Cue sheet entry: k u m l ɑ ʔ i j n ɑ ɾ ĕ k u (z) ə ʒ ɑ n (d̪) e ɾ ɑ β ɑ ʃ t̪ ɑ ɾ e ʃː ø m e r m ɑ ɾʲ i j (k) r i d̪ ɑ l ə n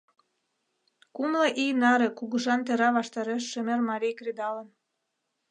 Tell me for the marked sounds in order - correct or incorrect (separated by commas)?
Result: incorrect, incorrect, correct